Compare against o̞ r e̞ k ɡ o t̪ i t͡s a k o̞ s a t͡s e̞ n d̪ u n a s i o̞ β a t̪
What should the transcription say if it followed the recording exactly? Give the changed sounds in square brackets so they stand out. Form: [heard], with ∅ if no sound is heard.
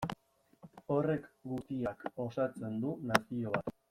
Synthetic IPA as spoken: o̞ r e̞ k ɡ [u] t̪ i [∅] a k o̞ s a t͡s e̞ n d̪ u n a s i o̞ β a t̪